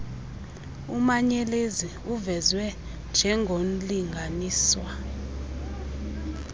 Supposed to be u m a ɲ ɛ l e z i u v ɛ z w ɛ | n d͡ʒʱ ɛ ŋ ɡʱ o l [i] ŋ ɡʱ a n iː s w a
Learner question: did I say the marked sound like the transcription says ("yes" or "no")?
yes